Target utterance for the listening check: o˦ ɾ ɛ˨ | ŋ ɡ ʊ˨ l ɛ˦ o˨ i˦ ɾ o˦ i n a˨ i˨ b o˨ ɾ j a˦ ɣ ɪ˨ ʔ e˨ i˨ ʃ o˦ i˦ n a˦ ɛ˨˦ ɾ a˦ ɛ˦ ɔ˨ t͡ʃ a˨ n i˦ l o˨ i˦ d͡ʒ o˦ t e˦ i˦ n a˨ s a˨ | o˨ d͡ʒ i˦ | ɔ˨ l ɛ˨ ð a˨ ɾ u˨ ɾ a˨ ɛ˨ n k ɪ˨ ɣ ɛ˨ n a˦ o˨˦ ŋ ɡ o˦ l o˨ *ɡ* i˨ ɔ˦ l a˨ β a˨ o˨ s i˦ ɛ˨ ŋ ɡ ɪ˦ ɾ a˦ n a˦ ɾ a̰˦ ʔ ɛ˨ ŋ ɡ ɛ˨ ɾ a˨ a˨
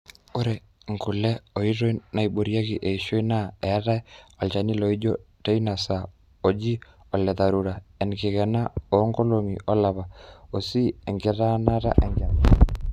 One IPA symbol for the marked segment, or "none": ŋ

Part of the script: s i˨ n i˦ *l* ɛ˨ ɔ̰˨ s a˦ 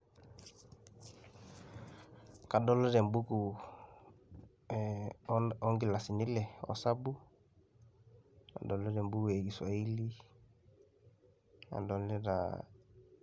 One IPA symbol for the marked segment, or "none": l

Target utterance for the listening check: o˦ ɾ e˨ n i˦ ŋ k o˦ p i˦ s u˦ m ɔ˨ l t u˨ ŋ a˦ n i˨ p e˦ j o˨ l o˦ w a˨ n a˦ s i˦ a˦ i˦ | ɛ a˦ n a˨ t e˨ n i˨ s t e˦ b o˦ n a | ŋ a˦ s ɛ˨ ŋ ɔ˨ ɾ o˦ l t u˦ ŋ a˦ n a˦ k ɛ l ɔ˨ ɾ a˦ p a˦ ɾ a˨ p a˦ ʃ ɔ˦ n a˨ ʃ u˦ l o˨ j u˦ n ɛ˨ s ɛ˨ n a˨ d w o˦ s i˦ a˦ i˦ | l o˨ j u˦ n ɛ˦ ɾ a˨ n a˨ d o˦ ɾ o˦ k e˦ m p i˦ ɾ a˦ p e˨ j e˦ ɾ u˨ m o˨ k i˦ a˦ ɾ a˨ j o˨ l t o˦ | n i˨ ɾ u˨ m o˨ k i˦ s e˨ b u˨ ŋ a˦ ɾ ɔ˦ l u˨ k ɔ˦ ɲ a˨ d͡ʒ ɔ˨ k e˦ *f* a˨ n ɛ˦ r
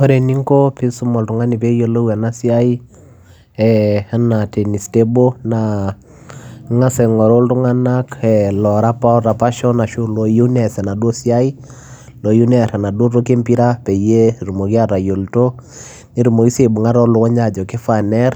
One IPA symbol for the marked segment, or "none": f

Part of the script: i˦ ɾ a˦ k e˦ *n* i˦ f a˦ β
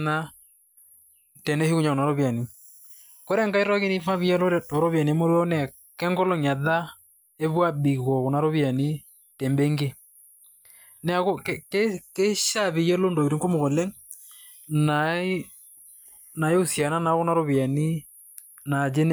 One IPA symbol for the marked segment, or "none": n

